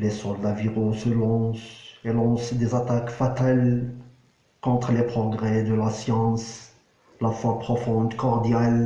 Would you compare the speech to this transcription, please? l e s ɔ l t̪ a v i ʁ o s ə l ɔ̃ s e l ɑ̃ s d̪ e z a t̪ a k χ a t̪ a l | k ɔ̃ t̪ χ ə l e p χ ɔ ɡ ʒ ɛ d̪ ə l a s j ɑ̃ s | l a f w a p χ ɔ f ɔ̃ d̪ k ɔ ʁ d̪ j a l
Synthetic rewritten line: l e s ɔ l d̪ a v i ʁ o s ə l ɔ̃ s e l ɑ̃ s d̪ e z a t̪ a k f a t̪ a l | k ɔ̃ t̪ χ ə l e p χ ɔ ɡ ʁ ɛ d̪ ə l a s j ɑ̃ s | l a f w a p χ ɔ f ɔ̃ d̪ k ɔ ʁ d̪ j a l